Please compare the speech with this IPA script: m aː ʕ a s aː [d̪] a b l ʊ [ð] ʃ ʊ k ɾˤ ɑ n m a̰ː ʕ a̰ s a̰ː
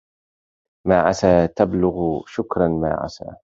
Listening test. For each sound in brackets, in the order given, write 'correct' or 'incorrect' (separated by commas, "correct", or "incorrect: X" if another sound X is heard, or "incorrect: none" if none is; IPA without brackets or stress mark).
incorrect: t̪, incorrect: ɣ